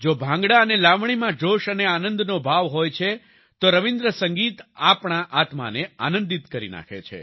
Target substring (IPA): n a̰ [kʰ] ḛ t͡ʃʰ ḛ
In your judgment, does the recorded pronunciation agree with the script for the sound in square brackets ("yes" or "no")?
yes